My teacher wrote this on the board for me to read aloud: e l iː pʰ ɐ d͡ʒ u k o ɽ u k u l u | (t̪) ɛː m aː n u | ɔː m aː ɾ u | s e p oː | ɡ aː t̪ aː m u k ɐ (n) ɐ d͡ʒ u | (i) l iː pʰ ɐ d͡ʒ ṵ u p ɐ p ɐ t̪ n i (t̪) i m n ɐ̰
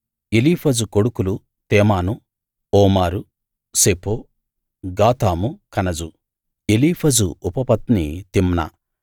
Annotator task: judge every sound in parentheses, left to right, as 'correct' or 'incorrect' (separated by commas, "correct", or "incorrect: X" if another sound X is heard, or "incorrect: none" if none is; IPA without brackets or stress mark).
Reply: correct, correct, incorrect: e, correct